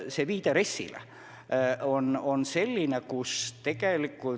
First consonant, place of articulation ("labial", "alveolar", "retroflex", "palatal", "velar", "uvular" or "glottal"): alveolar